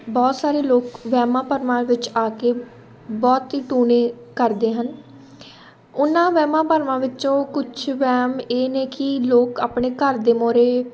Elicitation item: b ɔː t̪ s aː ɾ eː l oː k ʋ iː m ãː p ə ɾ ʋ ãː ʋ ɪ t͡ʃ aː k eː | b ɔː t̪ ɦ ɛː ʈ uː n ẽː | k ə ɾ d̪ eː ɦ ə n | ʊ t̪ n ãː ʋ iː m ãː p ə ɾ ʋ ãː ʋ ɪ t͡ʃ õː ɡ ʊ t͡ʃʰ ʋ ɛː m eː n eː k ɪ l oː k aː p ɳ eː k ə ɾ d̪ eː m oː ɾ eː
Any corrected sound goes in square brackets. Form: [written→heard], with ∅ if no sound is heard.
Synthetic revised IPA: b ɔː t̪ s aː ɾ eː l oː k ʋ [iː→ɛː] m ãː p ə ɾ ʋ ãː ʋ ɪ t͡ʃ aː k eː | b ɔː t̪ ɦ [ɛː→iː] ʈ uː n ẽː | k ə ɾ d̪ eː ɦ ə n | ʊ [t̪→∅] n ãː ʋ [iː→ɛː] m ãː p ə ɾ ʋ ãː ʋ ɪ t͡ʃ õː [ɡ→k] ʊ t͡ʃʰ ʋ ɛː m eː n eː k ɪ l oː k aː p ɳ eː k ə ɾ d̪ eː m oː ɾ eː